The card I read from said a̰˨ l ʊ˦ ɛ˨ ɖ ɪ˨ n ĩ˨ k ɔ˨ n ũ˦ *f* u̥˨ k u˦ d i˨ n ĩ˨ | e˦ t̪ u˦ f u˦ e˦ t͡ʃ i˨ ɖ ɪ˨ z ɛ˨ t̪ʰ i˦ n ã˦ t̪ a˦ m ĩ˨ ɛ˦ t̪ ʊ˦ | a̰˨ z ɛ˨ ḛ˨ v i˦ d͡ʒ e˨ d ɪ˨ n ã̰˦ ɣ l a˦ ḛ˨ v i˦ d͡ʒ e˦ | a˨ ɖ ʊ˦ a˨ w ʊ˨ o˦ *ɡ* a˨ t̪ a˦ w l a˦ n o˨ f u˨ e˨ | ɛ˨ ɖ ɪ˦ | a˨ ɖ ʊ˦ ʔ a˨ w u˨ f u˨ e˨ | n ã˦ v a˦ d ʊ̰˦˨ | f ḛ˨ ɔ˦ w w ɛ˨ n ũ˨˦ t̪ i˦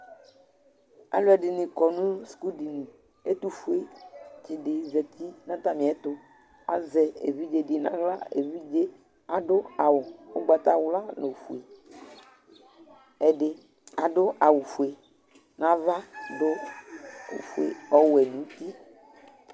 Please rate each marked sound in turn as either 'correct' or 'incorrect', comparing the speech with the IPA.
incorrect: s, incorrect: ɡ͡b

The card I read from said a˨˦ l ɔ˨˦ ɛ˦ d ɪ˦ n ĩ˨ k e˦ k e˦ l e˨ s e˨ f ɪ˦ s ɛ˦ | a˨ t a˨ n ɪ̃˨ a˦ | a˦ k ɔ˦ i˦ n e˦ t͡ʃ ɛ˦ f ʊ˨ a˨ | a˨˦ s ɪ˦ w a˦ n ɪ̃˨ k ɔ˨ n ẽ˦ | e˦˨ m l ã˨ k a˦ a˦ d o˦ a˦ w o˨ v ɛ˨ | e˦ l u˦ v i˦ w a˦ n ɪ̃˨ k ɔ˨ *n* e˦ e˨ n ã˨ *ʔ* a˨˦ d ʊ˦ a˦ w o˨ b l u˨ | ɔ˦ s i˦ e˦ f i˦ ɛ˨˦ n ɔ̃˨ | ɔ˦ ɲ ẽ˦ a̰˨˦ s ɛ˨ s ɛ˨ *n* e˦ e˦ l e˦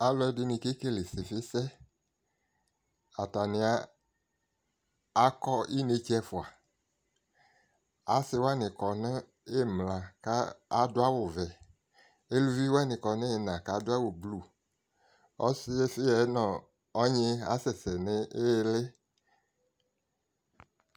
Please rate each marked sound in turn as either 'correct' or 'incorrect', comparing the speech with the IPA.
correct, incorrect: k, correct

